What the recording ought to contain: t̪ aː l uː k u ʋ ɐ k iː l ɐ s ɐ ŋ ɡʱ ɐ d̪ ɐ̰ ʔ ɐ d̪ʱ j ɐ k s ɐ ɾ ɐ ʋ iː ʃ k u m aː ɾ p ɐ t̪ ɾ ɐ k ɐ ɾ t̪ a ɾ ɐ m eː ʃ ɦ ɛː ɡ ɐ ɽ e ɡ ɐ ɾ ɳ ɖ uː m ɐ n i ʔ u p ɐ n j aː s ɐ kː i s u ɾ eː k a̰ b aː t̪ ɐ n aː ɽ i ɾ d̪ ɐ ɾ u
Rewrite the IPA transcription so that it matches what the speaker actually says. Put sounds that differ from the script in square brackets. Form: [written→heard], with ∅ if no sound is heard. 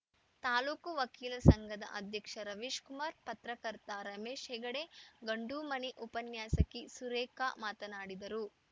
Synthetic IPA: t̪ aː l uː k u ʋ ɐ k iː l ɐ s ɐ ŋ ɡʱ ɐ d̪ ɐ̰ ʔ ɐ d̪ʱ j ɐ k [s→ʂ] ɐ ɾ ɐ ʋ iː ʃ k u m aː ɾ p ɐ t̪ ɾ ɐ k ɐ ɾ t̪ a ɾ ɐ m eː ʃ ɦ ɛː ɡ ɐ ɽ e ɡ ɐ [ɾ→∅] ɳ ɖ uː m ɐ n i ʔ u p ɐ n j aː s ɐ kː i s u ɾ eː k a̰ [b→m] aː t̪ ɐ n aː ɽ i [ɾ→∅] d̪ ɐ ɾ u

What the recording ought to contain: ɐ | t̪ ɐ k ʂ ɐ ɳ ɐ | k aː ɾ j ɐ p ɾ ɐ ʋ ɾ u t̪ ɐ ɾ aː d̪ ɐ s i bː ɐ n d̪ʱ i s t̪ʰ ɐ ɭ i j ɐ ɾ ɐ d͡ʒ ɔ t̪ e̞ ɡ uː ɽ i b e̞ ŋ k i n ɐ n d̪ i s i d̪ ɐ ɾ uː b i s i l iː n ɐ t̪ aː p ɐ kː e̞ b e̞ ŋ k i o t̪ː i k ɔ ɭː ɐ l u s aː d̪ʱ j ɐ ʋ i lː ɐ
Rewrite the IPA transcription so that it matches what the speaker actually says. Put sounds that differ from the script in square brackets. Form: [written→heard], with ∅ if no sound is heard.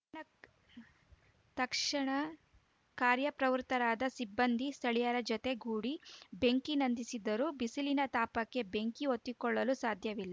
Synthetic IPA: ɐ | t̪ ɐ k ʂ ɐ ɳ ɐ | k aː ɾ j ɐ p ɾ ɐ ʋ ɾ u t̪ ɐ ɾ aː d̪ ɐ s i bː ɐ n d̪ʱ i s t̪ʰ ɐ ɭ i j ɐ ɾ ɐ d͡ʒ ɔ t̪ e̞ ɡ uː ɽ i b e̞ ŋ k i n ɐ n d̪ i s i d̪ ɐ ɾ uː b i s i l [iː→i] n ɐ t̪ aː p ɐ kː e̞ b e̞ ŋ k i o t̪ː i k ɔ ɭː ɐ l u s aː d̪ʱ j ɐ ʋ i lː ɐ

